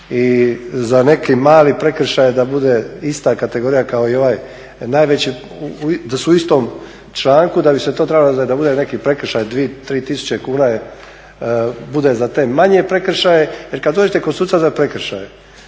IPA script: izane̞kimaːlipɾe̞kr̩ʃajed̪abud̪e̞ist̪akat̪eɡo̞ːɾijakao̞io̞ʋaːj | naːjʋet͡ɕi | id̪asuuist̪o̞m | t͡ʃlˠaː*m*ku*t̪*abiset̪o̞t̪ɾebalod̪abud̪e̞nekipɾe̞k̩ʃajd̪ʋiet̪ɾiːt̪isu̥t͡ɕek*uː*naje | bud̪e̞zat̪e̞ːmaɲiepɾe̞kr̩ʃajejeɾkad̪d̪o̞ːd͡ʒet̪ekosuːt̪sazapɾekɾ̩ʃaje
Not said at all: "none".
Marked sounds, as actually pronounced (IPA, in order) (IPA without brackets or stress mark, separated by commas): ŋ, d̪, uː